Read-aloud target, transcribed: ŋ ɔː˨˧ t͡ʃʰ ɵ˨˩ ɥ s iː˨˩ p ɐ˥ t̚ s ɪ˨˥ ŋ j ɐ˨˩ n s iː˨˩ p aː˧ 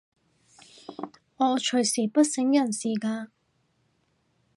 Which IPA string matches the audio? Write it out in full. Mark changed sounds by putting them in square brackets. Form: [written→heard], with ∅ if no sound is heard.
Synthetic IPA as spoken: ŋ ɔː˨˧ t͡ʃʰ ɵ˨˩ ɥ s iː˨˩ p ɐ˥ t̚ s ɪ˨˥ ŋ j ɐ˨˩ n s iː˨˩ [p→k] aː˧